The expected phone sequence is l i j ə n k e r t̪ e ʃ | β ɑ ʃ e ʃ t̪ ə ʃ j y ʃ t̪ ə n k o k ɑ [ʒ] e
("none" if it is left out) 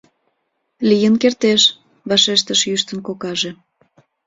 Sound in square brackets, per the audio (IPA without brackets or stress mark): ʒ